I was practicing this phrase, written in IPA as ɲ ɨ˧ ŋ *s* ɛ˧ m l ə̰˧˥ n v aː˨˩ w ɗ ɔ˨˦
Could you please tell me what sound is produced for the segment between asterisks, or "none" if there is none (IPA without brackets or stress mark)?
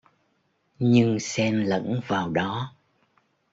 s